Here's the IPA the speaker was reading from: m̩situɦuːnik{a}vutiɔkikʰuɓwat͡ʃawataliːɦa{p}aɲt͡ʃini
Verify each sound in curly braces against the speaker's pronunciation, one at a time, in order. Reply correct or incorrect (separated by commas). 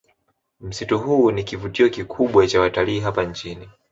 incorrect, correct